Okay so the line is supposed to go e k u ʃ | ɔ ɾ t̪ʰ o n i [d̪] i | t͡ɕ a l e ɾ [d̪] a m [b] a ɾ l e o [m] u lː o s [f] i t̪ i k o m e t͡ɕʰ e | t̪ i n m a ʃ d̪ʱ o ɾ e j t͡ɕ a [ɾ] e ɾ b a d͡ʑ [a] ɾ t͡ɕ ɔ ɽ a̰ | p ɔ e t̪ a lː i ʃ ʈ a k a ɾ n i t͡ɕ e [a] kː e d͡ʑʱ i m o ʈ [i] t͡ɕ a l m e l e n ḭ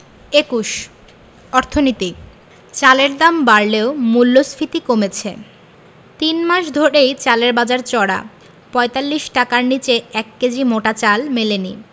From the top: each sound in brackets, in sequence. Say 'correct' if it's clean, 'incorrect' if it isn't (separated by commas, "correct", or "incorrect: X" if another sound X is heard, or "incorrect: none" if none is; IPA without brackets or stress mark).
incorrect: t̪, correct, correct, correct, correct, incorrect: l, correct, incorrect: ɛ, incorrect: a